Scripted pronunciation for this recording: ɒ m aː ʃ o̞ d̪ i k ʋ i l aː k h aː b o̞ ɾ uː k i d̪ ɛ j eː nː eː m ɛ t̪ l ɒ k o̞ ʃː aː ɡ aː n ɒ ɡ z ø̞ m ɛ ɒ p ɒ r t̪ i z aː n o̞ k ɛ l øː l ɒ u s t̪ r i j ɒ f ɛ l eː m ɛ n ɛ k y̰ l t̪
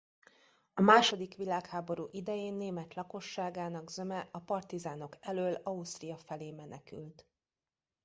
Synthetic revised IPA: ɒ m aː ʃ o̞ d̪ i k ʋ i l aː k h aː b o̞ ɾ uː ʔ i d̪ ɛ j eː nː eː m ɛ t̪ l ɒ k o̞ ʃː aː ɡ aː n ɒ ɡ z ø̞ m ɛ ɒ p ɒ r t̪ i z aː n o̞ k ɛ l øː l ɒ u s t̪ r i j ɒ f ɛ l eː m ɛ n ɛ k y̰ l t̪